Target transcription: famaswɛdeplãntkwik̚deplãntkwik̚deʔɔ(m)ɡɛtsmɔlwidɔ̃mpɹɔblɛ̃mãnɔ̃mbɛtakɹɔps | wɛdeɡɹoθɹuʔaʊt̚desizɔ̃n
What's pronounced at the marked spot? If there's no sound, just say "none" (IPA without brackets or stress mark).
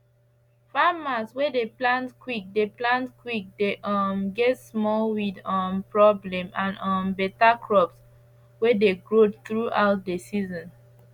m